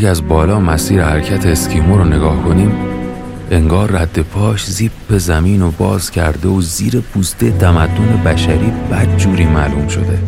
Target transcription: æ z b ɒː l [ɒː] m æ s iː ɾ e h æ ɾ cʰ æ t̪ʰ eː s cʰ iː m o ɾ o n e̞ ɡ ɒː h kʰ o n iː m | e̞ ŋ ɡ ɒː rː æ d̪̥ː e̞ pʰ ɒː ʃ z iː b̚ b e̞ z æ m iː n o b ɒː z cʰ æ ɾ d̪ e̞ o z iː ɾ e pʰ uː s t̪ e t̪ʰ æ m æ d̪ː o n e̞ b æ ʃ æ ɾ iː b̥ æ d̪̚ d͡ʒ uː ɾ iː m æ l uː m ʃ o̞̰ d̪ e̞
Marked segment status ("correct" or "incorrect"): correct